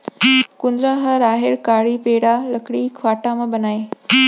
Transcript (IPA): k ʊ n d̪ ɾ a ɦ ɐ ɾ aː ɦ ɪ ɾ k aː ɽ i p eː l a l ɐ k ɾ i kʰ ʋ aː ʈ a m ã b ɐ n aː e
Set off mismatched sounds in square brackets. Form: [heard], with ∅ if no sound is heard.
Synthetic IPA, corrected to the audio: k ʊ n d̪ ɾ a ɦ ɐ ɾ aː ɦ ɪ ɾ k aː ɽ i p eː [ɽ] a l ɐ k [ɽ] i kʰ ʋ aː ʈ a m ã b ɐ n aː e